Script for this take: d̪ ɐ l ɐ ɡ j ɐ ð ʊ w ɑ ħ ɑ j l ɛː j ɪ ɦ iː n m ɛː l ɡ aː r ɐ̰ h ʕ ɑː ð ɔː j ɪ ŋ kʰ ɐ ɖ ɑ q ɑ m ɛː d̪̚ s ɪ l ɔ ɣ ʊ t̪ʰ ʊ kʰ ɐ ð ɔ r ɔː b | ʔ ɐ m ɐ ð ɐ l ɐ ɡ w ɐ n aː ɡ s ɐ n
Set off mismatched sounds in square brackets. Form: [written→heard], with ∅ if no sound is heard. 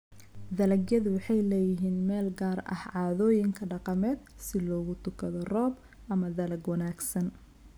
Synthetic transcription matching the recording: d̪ ɐ l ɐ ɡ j ɐ ð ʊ w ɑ ħ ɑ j l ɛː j ɪ ɦ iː n m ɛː l ɡ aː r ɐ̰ h ʕ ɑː ð ɔː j ɪ ŋ kʰ ɐ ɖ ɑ q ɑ m ɛː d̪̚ s ɪ l [ɔ→ɔː] ɣ ʊ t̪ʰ ʊ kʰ ɐ ð ɔ r ɔː b | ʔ ɐ m ɐ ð ɐ l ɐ ɡ w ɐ n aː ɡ s ɐ n